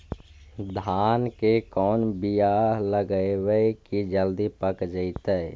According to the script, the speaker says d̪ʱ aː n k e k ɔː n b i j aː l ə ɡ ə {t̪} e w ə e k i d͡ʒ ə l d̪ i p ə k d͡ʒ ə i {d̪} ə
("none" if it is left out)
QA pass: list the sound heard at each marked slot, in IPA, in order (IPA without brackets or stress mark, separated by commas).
none, t̪